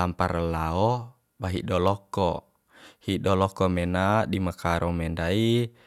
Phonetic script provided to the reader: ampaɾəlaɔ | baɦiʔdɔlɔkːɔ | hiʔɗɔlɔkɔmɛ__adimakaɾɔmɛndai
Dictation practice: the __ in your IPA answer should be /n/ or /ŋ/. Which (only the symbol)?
n